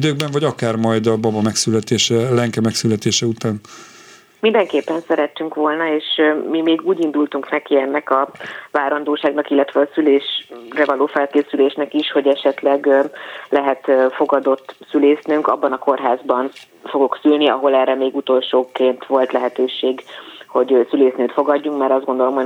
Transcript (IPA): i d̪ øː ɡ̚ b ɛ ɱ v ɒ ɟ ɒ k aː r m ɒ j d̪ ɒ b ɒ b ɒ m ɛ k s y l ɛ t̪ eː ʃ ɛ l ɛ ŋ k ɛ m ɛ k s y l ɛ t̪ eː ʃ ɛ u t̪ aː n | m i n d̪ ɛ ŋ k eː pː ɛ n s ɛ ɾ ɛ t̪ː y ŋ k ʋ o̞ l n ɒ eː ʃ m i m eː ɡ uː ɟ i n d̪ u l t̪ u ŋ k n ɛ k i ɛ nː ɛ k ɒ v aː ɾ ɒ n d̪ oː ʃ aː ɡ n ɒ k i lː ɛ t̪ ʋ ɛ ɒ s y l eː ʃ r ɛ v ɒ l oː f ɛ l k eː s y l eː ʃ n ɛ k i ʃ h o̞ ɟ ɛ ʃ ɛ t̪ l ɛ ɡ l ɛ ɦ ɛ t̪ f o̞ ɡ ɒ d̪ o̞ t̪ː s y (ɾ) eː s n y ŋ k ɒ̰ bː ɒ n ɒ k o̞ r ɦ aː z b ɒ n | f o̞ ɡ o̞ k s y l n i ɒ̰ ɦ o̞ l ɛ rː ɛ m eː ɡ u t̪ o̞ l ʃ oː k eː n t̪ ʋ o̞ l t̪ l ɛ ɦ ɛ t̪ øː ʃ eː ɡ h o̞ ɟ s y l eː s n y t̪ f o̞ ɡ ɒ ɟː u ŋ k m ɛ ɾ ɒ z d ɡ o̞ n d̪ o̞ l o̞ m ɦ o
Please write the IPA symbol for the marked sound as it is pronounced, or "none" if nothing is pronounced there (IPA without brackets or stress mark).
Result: l